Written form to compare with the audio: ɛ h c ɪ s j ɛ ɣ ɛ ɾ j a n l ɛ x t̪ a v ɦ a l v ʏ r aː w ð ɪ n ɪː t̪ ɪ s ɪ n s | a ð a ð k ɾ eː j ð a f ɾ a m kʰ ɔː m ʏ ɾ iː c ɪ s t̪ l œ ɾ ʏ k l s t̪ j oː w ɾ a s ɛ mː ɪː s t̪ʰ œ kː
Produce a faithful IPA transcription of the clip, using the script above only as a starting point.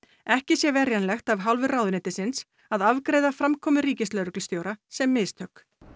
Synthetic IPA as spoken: ɛ h c ɪ s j ɛ v ɛ ɾ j a n l ɛ x t̪ a v ɦ a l v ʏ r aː w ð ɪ n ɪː t̪ ɪ s ɪ n s | a ð a v k ɾ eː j ð a f ɾ a m kʰ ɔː m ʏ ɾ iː c ɪ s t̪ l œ ɾ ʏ k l s t̪ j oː w ɾ a s ɛ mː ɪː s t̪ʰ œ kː